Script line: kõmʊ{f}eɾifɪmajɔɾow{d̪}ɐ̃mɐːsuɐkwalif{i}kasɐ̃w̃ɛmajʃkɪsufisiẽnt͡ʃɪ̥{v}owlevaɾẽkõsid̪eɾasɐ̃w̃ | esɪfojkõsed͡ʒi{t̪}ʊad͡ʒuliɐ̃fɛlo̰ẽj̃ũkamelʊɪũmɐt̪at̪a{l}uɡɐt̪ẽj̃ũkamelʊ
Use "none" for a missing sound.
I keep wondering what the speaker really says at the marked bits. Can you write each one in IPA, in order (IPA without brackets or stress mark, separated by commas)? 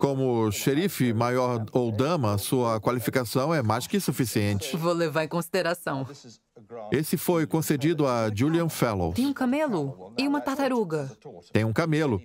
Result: ʃ, d̪, i, v, d̪, ɾ